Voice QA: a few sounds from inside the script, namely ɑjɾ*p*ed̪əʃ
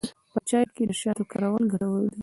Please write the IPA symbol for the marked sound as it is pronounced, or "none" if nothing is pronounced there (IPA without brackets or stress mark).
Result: k